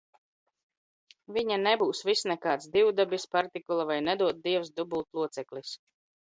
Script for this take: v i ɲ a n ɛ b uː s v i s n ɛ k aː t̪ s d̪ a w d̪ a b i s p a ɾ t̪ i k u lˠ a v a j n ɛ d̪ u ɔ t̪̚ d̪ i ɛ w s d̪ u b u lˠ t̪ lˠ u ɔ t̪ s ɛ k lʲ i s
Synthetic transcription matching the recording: v i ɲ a n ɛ b uː s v i s n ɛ k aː t̪ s d̪ i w d̪ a b i s p a ɾ t̪ i k u lˠ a v a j n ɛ d̪ u ɔ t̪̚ d̪ i ɛ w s d̪ u b u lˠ t̪ lˠ u ɔ t̪ s ɛ k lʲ i s